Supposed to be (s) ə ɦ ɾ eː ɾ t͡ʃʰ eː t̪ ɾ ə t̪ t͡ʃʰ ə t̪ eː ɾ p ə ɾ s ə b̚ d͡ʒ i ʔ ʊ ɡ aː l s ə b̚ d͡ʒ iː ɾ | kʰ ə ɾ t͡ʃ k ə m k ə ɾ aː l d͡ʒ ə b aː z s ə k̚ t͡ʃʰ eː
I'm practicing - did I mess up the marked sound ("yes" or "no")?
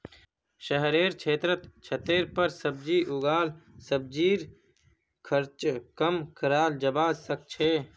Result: yes